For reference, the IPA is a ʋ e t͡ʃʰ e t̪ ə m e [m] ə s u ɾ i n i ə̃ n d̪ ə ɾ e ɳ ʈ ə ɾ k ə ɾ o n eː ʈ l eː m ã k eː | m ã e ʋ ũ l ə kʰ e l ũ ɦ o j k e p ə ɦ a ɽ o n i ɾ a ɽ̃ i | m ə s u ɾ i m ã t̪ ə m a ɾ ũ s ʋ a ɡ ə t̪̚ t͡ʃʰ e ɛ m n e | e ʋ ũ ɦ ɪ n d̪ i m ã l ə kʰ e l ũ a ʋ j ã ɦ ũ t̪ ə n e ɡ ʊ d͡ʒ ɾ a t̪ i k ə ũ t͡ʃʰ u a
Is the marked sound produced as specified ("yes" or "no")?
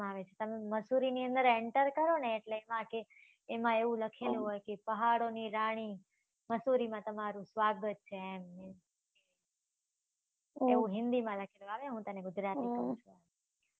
yes